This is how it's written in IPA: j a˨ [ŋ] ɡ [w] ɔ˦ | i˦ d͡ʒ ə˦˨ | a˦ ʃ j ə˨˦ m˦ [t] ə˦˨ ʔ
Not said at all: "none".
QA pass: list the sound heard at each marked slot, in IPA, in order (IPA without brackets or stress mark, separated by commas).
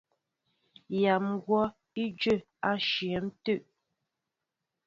m, w, t